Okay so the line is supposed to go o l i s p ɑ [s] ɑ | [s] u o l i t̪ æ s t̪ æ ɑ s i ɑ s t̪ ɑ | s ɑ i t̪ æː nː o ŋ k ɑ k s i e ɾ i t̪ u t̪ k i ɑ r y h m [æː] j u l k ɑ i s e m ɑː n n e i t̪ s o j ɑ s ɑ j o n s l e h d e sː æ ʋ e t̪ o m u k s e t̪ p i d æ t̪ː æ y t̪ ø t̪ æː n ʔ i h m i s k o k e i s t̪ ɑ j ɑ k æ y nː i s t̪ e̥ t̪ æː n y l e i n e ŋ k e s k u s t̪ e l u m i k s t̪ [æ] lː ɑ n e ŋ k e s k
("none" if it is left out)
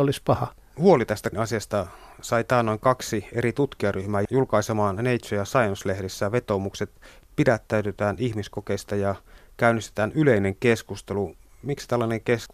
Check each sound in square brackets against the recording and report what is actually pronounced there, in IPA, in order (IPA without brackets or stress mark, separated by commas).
h, h, æː, æ